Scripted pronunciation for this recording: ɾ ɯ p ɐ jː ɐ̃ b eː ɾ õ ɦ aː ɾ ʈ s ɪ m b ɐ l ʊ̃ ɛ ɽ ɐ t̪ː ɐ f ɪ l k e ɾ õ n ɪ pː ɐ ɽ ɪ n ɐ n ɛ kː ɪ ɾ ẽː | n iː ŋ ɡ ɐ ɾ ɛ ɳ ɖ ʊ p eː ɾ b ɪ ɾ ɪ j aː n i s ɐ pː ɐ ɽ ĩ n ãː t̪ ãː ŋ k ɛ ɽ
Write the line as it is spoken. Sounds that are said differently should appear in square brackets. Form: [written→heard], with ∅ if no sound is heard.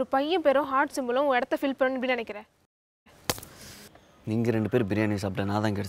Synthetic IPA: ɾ ɯ p ɐ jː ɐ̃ [b→p] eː ɾ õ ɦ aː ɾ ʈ s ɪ m b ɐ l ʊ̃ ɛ ɽ ɐ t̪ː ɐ f ɪ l [k→p] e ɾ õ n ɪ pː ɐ ɽ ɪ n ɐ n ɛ kː ɪ ɾ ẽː | n iː ŋ ɡ ɐ ɾ ɛ ɳ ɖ [ʊ→ɯ] p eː ɾ b ɪ ɾ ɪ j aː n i s ɐ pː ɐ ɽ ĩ n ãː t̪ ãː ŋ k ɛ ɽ